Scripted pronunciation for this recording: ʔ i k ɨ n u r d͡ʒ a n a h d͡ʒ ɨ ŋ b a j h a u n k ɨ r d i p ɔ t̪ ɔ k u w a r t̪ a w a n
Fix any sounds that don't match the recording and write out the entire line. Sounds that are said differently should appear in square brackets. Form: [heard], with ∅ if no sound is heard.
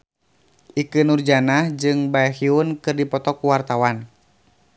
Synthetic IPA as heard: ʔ i k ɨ n u r d͡ʒ a n a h d͡ʒ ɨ ŋ b a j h [i] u n k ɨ r d i p ɔ t̪ ɔ k u w a r t̪ a w a n